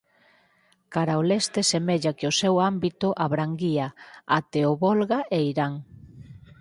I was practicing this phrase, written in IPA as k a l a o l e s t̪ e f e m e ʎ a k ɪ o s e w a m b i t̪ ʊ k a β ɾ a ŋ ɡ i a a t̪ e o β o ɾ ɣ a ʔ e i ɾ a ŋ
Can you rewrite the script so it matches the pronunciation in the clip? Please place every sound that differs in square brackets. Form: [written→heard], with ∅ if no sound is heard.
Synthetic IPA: k a [l→ɾ] a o l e s t̪ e [f→s] e m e ʎ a k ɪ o s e w a m b i t̪ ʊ [k→ʔ] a β ɾ a ŋ ɡ i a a t̪ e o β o [ɾ→l] ɣ a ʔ e i ɾ a ŋ